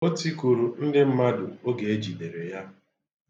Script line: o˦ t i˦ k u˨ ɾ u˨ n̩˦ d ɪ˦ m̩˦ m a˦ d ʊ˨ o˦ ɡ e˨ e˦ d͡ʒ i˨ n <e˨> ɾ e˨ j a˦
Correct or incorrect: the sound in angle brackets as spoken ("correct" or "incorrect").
correct